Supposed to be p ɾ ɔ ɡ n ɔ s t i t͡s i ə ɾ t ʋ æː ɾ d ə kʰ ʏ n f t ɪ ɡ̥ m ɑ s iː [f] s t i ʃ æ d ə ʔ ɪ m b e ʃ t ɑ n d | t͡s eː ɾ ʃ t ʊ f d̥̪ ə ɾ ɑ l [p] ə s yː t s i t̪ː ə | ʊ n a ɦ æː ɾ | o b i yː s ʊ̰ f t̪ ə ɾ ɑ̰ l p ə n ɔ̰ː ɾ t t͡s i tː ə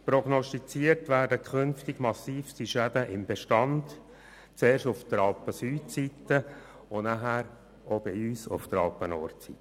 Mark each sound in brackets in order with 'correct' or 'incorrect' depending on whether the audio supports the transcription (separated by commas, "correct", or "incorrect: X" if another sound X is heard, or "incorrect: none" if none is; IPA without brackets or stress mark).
correct, correct